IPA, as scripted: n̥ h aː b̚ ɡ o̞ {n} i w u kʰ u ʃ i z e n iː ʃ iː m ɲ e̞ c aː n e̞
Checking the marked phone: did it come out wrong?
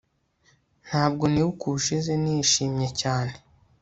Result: no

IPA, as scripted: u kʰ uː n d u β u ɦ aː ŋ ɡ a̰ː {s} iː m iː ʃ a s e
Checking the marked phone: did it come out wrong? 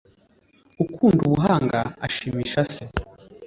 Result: yes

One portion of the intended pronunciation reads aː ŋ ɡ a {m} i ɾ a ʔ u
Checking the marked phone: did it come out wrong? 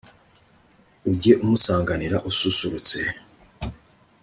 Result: yes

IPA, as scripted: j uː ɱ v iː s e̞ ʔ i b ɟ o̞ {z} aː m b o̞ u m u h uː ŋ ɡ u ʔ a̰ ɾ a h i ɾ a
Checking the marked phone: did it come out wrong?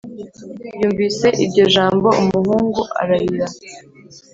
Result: yes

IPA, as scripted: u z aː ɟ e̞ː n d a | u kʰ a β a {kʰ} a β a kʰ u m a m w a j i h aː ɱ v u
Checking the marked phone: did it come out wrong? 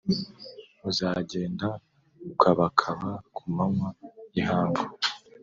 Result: no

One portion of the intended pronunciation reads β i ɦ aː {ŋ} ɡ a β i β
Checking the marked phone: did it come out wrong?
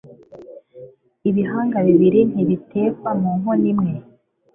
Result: no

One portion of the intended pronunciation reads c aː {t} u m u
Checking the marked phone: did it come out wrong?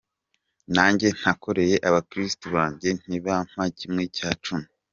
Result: yes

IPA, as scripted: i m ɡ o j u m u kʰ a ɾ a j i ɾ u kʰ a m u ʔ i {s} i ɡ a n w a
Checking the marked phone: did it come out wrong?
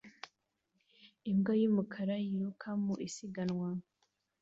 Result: no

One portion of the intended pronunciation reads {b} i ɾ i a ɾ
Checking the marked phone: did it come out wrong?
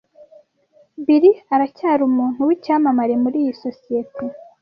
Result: no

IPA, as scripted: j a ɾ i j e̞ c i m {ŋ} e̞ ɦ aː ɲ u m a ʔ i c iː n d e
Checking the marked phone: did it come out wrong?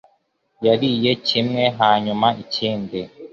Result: no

